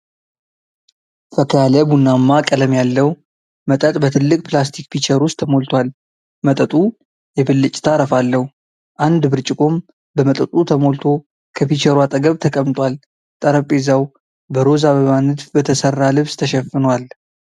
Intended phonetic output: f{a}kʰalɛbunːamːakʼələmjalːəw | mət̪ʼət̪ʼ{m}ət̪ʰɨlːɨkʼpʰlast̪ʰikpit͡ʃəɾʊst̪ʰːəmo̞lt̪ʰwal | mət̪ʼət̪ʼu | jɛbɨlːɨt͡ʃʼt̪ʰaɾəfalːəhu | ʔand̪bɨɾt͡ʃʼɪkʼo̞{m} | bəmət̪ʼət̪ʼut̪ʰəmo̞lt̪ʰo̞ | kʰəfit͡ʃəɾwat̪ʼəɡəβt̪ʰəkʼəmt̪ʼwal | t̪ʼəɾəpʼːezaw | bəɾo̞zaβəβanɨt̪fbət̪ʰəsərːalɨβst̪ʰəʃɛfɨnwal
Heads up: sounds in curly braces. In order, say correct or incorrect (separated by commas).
incorrect, incorrect, correct